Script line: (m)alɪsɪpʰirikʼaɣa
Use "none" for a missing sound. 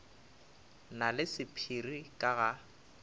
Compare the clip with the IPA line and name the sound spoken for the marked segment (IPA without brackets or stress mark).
n